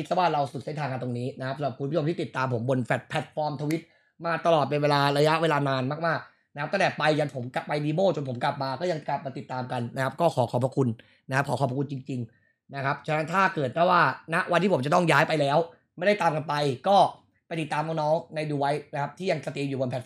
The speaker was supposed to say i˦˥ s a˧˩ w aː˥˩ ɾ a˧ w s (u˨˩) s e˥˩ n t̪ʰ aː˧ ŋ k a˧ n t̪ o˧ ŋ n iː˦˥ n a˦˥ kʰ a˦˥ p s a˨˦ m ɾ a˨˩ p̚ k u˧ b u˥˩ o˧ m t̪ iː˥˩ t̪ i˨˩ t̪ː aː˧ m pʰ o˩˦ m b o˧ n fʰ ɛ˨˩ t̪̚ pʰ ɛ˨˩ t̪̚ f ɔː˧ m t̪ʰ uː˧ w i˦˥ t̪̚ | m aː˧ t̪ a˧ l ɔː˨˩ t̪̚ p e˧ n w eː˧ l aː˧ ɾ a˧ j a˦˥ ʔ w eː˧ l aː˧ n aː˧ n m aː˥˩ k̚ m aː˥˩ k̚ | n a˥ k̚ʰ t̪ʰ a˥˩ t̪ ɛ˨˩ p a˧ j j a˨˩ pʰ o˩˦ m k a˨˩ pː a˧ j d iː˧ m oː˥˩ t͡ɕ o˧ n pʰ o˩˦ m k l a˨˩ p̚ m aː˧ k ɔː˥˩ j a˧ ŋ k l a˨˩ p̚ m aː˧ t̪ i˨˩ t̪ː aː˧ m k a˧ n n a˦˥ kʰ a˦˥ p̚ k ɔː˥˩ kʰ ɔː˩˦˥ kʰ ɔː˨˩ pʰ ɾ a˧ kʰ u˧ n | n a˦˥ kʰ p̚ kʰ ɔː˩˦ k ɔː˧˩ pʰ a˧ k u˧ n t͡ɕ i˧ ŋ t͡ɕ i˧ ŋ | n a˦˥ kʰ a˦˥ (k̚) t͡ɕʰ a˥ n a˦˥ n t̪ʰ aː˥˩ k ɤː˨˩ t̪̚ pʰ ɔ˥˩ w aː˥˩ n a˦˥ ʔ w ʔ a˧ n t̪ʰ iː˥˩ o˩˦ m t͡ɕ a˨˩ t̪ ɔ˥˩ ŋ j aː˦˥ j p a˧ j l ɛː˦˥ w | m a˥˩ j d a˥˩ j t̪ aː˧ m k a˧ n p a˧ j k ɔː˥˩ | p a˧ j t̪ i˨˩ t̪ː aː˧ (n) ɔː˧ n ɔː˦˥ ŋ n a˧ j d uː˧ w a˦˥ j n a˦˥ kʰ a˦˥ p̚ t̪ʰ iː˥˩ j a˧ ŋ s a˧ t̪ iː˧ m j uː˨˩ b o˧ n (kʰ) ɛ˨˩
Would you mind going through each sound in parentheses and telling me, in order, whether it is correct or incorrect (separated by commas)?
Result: correct, incorrect, incorrect, incorrect